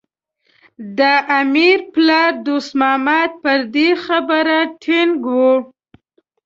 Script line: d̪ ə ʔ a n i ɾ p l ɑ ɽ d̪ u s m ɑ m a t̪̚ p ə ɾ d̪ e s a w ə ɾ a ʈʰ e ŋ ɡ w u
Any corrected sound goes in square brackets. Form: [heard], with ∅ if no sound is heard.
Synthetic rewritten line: d̪ ə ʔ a [m] i ɾ p l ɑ [ɾ] d̪ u s m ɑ m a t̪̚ p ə ɾ d̪ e [x] a [b] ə ɾ a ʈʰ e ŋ ɡ w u

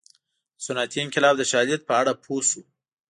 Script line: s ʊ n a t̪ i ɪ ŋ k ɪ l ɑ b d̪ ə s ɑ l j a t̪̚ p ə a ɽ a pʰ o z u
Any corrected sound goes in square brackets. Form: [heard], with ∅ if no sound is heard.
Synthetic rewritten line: s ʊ n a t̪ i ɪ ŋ k ɪ l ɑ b d̪ ə [ʃ] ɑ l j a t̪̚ p ə a ɽ a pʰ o [s] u

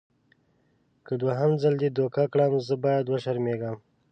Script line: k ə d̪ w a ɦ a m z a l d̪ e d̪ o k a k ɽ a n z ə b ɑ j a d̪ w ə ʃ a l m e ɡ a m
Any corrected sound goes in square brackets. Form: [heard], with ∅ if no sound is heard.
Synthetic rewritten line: k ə d̪ w a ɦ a m z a l d̪ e d̪ o k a k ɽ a [m] z ə b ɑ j a d̪ w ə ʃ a [ɾ] m e ɡ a m

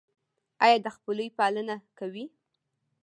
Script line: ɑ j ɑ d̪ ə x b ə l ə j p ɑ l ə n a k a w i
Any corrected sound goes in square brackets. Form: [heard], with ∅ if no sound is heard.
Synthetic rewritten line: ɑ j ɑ d̪ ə x [p] ə l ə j p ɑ l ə n a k a w i

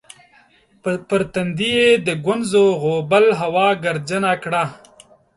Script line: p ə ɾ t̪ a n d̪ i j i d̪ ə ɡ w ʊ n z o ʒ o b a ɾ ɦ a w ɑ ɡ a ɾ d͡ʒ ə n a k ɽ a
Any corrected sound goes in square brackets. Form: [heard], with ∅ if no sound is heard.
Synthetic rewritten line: p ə ɾ t̪ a n d̪ i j [e] d̪ ə ɡ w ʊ n z o [ɣ] o b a [l] ɦ a w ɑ ɡ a ɾ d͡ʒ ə n a k ɽ a

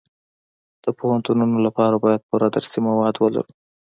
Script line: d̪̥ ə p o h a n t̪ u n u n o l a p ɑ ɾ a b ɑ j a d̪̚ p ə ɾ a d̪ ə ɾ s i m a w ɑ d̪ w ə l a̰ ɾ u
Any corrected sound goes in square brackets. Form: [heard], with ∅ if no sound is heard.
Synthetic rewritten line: d̪̥ ə p o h a n t̪ u n u n o l a p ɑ ɾ a b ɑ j a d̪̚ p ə ɾ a d̪ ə ɾ s i m a w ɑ d̪ w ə l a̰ ɾ u

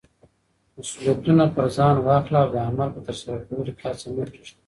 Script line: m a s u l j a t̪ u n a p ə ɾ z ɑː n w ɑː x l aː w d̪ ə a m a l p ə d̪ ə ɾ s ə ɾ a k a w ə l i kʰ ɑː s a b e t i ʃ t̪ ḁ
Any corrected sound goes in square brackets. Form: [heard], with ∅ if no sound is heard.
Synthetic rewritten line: m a s u l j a t̪ u n a p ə ɾ z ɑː n w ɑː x l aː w d̪ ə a m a l p ə [t̪] ə ɾ s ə ɾ a k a w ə l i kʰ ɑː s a [m] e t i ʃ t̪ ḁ

